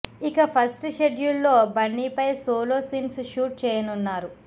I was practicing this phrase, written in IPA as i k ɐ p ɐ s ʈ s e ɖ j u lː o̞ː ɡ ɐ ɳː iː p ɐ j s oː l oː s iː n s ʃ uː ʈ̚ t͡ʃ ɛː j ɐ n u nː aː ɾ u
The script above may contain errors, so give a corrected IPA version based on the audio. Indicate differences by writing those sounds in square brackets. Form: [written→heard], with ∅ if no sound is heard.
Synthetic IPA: i k ɐ [p→pʰ] ɐ s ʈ [s→ʃ] e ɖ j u lː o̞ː [ɡ→b] ɐ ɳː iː p ɐ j s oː l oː s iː n s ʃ uː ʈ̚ t͡ʃ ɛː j ɐ n u nː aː ɾ u